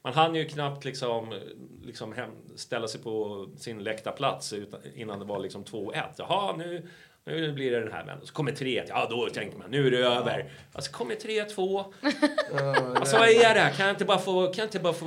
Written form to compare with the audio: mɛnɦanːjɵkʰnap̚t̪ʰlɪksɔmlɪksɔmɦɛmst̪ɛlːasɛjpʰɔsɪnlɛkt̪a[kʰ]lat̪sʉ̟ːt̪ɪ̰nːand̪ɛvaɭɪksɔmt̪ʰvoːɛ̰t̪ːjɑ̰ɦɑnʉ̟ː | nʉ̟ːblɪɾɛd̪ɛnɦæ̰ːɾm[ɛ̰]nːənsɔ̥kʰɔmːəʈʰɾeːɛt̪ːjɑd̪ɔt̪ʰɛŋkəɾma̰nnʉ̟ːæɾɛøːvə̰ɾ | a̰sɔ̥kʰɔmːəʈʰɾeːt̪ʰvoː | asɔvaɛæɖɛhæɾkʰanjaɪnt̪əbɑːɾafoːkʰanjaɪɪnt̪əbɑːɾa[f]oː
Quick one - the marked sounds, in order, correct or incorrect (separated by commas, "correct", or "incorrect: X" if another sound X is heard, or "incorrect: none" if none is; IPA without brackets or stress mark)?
incorrect: pʰ, correct, correct